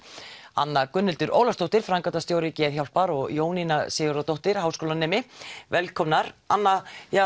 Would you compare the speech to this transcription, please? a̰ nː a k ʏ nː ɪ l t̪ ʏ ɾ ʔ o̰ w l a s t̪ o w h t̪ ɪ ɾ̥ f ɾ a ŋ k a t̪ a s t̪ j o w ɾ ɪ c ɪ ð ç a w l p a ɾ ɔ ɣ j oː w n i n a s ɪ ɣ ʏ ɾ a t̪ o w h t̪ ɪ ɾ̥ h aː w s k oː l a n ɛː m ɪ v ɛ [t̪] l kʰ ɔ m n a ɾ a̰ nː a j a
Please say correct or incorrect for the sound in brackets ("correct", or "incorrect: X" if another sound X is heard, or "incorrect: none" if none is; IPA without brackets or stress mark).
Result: incorrect: none